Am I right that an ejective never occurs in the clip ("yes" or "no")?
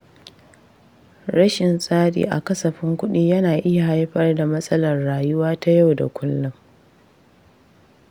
no